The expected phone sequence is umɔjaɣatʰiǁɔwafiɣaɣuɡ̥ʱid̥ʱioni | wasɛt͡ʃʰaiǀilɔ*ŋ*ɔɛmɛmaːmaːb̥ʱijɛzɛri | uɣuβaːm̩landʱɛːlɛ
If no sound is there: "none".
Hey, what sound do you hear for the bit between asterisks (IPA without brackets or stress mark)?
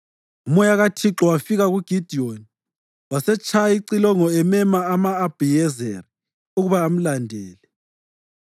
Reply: ŋ